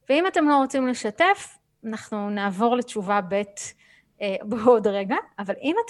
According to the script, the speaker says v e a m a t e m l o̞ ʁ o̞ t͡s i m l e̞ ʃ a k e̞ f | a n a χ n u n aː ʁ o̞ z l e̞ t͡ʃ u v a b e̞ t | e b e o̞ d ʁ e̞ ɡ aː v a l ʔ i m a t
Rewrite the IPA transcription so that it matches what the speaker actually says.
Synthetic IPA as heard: v e i m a t e m l o̞ ʁ o̞ t͡s i m l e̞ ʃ a t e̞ f | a n a χ n u n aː v o̞ ʁ l e̞ t͡ʃ u v a b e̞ t | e b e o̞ d ʁ e̞ ɡ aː v a l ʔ i m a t